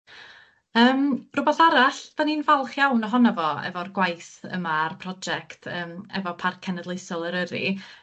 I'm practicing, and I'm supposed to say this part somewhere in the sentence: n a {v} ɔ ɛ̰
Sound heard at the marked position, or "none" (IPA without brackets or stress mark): v